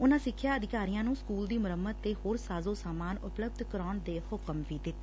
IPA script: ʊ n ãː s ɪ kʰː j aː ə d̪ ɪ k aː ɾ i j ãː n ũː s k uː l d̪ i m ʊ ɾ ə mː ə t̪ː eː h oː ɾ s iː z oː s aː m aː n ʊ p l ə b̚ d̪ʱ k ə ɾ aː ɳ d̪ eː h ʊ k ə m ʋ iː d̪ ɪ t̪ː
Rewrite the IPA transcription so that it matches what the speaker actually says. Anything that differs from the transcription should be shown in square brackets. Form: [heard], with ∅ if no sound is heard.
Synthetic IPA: ʊ n ãː s ɪ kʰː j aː ə d̪ ɪ k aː ɾ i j ãː n ũː s k uː l d̪ [iː] m ʊ ɾ ə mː ə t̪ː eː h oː ɾ s [aː] z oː s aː m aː n ʊ p l ə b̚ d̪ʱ k ə ɾ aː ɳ d̪ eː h ʊ k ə m ʋ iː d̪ ɪ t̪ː